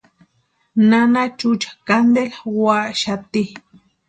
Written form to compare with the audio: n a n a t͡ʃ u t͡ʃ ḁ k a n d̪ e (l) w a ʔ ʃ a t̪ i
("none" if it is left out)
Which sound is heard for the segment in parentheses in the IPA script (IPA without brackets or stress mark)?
l